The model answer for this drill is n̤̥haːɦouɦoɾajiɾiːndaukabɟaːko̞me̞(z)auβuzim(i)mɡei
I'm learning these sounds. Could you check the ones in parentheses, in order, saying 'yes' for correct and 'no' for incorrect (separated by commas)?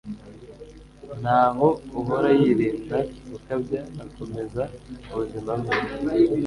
yes, no